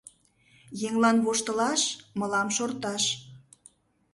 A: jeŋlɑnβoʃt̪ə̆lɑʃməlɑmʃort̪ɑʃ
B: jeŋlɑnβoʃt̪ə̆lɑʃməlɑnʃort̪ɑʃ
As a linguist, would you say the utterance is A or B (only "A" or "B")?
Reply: A